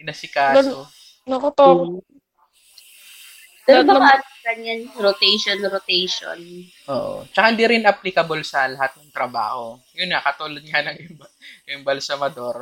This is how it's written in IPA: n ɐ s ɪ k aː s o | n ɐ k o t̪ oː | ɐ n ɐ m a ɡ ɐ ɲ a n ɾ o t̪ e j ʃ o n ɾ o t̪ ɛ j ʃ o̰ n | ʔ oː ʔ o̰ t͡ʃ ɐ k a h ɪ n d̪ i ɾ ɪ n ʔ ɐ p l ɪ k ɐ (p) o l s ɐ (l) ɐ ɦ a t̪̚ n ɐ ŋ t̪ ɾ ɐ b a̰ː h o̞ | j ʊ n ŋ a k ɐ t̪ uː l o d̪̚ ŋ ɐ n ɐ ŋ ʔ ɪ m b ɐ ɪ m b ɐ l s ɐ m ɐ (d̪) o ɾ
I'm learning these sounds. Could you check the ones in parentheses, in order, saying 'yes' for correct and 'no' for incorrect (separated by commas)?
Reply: no, yes, yes